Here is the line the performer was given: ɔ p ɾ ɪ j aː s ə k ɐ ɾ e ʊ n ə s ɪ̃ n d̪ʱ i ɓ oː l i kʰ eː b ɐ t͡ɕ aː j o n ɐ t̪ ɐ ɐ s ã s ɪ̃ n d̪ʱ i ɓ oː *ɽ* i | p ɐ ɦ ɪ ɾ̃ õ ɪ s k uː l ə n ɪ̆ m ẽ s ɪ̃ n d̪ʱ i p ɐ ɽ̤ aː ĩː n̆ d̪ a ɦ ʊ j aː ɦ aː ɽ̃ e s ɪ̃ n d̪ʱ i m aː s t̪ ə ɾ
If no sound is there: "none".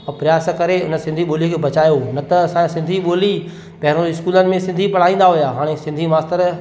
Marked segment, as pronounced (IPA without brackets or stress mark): l